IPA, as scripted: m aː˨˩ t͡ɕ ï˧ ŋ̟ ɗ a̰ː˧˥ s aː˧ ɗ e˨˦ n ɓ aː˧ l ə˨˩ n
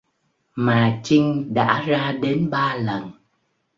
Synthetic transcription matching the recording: m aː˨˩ t͡ɕ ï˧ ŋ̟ ɗ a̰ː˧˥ z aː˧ ɗ e˨˦ n ɓ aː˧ l ə˨˩ n

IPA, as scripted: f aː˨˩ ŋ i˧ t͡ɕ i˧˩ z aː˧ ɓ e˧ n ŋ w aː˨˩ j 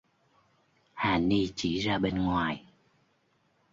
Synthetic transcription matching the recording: h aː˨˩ n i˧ t͡ɕ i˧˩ z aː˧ ɓ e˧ n ŋ w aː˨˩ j

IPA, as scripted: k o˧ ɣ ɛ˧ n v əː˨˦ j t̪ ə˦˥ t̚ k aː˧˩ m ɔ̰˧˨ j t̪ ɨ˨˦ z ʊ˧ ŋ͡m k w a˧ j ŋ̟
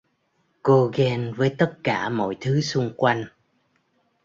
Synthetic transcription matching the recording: k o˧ ɣ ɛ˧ n v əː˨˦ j t̪ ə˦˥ t̚ k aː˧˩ m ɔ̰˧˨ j t̪ʰ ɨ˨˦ s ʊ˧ ŋ͡m k w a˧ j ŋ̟

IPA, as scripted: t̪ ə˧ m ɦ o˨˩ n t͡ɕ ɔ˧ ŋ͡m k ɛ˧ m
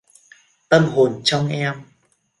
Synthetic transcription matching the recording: t̪ ə˧ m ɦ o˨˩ n t͡ɕ ɔ˧ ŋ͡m ʔ ɛ˧ m

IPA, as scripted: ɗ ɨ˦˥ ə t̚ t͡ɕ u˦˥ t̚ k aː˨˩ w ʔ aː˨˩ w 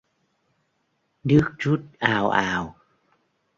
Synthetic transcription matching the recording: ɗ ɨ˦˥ ə k̚ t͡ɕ u˦˥ t̚ ʔ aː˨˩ w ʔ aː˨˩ w

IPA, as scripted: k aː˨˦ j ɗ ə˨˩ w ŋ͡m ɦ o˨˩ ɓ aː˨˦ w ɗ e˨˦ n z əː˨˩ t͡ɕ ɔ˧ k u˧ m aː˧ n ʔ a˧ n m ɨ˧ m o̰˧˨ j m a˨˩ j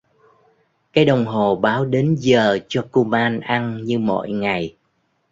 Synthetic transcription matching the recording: k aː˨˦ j ɗ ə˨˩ w ŋ͡m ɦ o˨˩ ɓ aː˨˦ w ɗ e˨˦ n z əː˨˩ t͡ɕ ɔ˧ k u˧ m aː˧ n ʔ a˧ n ɲ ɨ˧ m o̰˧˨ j ŋ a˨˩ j

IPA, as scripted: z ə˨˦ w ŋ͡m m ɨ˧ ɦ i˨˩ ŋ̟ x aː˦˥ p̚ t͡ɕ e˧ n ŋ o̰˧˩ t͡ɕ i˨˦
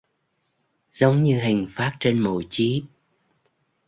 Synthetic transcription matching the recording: z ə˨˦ w ŋ͡m ɲ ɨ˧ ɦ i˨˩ ŋ̟ f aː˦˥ t̚ t͡ɕ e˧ n m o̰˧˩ t͡ɕ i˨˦

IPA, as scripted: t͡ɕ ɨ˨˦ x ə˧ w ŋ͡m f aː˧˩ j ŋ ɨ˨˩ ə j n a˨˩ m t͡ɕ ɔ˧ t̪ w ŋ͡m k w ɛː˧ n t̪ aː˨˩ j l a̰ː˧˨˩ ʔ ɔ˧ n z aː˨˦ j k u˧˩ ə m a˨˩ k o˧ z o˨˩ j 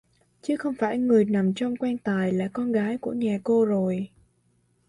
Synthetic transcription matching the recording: t͡ɕ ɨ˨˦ x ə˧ w ŋ͡m f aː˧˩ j ŋ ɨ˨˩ ə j n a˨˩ m t͡ɕ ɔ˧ w ŋ͡m k w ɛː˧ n t̪ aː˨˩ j l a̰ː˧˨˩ k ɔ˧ n ɣ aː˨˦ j k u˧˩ ə ɲ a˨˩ k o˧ z o˨˩ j

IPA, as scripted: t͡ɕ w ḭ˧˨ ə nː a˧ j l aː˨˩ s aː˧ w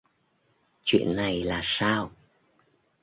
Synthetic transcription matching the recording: t͡ɕ w ḭ˧˨ ə nː a˨˩ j l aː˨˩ s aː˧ w

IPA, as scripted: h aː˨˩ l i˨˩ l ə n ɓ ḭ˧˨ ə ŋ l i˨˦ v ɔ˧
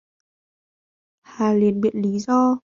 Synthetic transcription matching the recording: h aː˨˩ l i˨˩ ə n ɓ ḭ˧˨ ə n l i˨˦ z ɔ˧

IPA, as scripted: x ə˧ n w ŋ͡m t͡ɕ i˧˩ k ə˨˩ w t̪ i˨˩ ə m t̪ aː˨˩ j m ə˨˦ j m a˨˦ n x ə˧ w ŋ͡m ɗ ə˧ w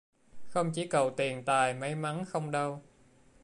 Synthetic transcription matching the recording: x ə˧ w ŋ͡m t͡ɕ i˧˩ k ə˨˩ w t̪ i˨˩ ə n t̪ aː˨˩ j m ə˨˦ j m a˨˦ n x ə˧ w ŋ͡m ɗ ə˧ w

